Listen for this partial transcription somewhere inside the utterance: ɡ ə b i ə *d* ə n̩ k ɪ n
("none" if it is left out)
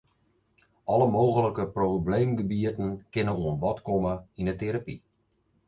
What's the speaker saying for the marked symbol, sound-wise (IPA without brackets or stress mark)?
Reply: t